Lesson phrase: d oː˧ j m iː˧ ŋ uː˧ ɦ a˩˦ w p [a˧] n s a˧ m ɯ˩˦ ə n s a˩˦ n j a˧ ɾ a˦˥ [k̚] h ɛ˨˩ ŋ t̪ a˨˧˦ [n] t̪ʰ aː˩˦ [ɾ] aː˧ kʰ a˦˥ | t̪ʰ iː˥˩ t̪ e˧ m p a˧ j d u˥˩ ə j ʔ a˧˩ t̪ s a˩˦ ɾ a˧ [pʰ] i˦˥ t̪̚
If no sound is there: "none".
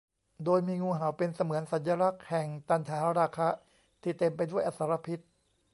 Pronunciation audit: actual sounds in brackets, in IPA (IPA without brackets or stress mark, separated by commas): e˧, k̚, n, ɾ, pʰ